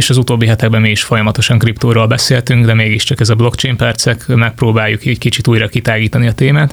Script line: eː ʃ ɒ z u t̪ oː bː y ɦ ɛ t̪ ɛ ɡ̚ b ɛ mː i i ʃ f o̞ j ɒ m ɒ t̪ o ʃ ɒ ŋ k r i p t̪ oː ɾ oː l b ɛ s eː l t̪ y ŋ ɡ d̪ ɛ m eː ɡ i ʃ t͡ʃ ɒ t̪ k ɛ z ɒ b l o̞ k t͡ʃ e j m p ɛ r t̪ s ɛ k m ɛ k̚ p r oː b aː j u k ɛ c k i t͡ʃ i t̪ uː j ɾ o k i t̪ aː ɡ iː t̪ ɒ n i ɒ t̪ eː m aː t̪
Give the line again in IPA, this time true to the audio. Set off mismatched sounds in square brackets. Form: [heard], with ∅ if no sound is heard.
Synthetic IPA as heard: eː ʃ ɒ z u t̪ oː bː [i] ɦ ɛ t̪ ɛ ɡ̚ b ɛ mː i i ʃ f o̞ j ɒ m ɒ t̪ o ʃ ɒ ŋ k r i p t̪ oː ɾ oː l b ɛ s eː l t̪ y ŋ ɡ d̪ ɛ m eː ɡ i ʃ t͡ʃ ɒ [∅] k ɛ z ɒ b l o̞ k t͡ʃ e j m p ɛ r t̪ s ɛ k m ɛ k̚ p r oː b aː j u k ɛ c k i t͡ʃ i t̪ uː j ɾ [ɒ] k i t̪ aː ɡ iː t̪ ɒ n i ɒ t̪ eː m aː t̪